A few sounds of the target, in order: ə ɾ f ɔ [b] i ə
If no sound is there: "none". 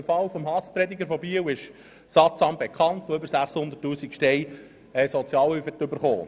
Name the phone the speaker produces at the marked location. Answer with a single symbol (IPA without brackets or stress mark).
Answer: b